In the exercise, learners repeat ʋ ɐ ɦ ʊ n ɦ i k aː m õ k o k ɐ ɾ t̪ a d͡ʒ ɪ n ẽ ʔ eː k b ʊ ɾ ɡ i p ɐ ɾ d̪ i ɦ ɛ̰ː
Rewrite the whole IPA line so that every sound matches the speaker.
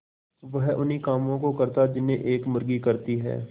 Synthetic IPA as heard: ʋ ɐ ɦ ʊ n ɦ i k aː m õ k o k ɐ ɾ t̪ a d͡ʒ ɪ n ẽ ʔ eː k m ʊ ɾ ɡ i k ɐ ɾ t̪ i ɦ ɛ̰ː